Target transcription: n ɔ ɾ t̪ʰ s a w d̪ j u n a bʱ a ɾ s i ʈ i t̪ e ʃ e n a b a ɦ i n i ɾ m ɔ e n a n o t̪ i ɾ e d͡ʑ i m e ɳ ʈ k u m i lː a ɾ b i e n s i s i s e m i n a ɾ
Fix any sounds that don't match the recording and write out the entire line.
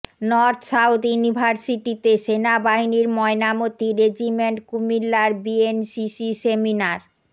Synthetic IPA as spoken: n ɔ ɾ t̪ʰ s a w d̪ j u n i bʱ a ɾ s i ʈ i t̪ e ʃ e n a b a ɦ i n i ɾ m ɔ e n a m o t̪ i ɾ e d͡ʑ i m e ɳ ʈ k u m i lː a ɾ b i e n s i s i s e m i n a ɾ